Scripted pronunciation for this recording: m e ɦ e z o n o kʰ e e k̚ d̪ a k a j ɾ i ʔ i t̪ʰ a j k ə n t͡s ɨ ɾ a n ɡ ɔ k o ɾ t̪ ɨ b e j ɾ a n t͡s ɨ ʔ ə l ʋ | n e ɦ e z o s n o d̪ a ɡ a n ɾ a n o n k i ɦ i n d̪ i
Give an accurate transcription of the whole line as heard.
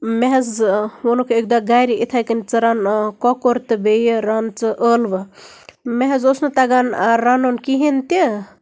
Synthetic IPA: m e ɦ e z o n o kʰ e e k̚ d̪ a ɡ a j ɾ i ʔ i t̪ʰ a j k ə n t͡s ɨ ɾ a n k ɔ k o ɾ t̪ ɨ b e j ɾ a n t͡s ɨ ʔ ə l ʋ | m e ɦ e z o s n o t̪ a ɡ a n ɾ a n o n k i ɦ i n t̪ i